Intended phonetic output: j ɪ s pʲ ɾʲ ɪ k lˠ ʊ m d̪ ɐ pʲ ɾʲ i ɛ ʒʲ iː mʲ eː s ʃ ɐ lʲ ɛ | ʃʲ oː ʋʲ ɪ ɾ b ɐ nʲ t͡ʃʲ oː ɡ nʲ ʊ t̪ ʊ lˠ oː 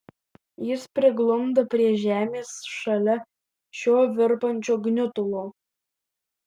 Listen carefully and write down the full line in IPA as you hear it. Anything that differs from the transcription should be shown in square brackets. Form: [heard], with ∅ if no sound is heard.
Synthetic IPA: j ɪ s pʲ ɾʲ ɪ [ɡ] lˠ ʊ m d̪ ɐ pʲ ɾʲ i ɛ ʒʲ [æː] mʲ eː s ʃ ɐ lʲ ɛ | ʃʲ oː ʋʲ ɪ ɾ [p] ɐ nʲ t͡ʃʲ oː ɡ nʲ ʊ t̪ ʊ lˠ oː